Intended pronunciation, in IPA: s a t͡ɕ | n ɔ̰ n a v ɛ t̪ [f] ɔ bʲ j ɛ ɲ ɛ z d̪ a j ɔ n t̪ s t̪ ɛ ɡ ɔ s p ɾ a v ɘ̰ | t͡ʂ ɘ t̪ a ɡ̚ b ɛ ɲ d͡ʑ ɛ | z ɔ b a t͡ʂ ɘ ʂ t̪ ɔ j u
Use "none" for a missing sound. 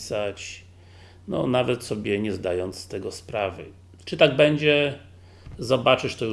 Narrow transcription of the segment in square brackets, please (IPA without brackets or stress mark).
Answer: s